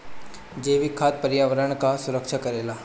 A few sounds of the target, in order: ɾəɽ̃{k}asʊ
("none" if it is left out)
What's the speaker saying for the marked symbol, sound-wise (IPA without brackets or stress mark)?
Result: k